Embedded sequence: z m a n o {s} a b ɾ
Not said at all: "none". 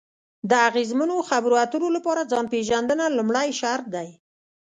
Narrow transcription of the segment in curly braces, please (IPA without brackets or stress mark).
x